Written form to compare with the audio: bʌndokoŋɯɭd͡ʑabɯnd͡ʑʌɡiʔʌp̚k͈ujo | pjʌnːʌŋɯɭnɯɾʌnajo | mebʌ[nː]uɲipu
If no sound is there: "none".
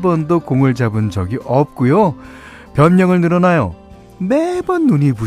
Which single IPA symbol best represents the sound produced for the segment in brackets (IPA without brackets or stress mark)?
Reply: nː